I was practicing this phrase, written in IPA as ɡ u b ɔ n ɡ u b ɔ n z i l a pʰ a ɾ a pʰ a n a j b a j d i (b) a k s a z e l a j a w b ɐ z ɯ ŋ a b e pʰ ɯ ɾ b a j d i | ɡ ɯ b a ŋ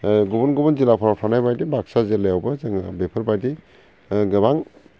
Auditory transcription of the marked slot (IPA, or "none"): b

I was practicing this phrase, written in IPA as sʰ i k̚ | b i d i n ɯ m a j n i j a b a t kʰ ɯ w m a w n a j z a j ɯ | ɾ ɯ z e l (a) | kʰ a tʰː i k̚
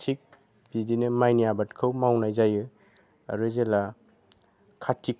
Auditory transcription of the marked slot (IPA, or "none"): a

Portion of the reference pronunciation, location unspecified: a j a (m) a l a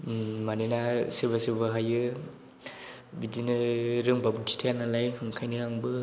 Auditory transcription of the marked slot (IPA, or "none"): n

